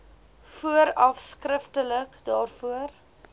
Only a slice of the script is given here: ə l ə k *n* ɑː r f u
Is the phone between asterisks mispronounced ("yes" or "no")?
yes